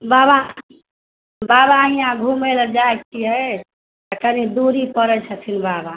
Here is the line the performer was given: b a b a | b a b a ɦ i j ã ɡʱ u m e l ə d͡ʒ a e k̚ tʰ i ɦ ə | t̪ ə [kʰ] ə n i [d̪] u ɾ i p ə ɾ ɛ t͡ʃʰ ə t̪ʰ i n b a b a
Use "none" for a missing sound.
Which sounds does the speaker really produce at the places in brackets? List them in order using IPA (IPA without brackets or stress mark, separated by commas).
k, d̪